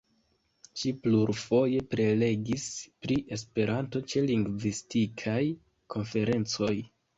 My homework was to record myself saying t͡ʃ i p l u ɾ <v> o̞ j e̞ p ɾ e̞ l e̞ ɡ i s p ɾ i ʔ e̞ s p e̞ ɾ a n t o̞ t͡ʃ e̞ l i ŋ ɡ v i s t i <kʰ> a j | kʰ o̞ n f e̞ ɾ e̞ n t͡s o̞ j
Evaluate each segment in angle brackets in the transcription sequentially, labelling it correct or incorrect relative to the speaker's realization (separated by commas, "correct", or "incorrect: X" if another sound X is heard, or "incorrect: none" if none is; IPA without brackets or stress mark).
incorrect: f, correct